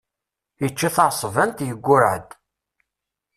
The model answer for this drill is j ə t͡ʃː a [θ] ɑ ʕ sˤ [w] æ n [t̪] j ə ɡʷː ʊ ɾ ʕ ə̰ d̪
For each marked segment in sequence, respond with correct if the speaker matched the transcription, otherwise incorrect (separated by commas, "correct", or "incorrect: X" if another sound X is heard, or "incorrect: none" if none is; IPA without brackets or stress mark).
correct, incorrect: v, correct